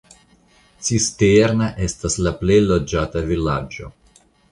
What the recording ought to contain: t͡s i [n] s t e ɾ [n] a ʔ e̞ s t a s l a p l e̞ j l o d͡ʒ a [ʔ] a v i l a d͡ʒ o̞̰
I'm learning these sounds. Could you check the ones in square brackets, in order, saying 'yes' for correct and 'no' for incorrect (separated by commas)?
no, yes, no